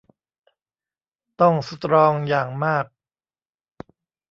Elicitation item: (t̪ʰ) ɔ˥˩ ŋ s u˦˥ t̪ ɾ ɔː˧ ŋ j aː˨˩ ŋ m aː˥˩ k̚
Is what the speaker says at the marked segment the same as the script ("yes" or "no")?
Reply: no